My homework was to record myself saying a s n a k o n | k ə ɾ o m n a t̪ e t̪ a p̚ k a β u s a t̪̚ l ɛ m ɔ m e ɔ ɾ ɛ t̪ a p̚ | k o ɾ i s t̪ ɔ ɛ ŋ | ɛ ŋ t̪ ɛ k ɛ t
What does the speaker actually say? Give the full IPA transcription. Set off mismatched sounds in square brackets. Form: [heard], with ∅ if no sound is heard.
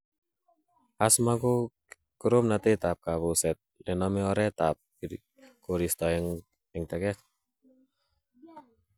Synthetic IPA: a s [m] a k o [∅] | k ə ɾ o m n a t̪ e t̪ a p̚ k a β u s [ɛ] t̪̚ l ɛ [n] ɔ m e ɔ ɾ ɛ t̪ a p̚ | k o ɾ i s t̪ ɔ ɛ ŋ | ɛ ŋ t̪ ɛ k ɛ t